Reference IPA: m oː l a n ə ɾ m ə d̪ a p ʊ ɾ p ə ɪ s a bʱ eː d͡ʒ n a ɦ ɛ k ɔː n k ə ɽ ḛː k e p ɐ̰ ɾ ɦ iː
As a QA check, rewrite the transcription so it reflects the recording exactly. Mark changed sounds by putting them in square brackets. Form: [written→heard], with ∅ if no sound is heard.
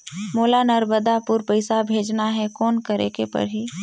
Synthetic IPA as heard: m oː l a n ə ɾ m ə d̪ a p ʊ ɾ p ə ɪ s a bʱ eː d͡ʒ n a ɦ ɛ k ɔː n k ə [ɽ→ɾ] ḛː k e p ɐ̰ ɾ ɦ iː